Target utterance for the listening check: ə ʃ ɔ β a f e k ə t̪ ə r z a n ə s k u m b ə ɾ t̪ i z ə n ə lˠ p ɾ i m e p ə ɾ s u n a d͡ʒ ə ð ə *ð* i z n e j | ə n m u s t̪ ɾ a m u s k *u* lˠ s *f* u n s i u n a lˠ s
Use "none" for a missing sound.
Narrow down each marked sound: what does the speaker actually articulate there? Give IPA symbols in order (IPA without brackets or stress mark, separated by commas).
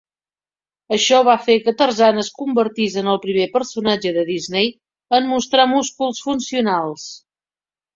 ð, u, f